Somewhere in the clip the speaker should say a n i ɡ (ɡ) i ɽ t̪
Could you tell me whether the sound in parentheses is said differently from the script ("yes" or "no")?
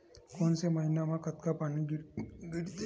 no